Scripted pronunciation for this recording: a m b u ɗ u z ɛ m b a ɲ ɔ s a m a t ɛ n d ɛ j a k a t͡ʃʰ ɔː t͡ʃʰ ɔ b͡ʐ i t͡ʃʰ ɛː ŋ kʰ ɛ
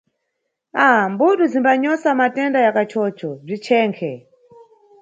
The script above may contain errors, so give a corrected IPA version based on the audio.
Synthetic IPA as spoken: a m b u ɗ u z i m b a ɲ ɔ s a m a t ɛ n d a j a k a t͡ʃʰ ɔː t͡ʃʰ ɔ b͡ʐ i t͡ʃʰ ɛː ŋ kʰ ɛ